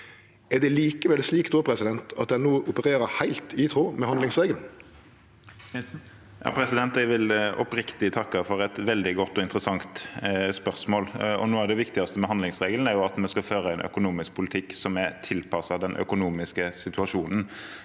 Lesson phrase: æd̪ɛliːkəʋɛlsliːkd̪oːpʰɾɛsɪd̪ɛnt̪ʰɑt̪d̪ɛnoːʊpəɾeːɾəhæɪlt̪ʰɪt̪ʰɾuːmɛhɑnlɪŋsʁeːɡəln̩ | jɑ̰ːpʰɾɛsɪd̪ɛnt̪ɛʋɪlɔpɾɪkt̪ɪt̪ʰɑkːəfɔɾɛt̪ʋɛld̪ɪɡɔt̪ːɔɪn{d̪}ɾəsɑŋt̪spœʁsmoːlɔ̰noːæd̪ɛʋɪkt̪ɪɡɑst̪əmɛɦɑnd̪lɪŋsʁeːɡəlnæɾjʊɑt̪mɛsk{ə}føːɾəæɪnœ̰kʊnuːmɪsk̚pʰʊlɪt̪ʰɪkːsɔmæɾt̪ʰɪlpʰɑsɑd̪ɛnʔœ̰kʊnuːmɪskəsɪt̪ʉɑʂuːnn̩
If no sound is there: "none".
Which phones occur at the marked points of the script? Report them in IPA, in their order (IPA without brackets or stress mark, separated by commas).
t̪, ɑ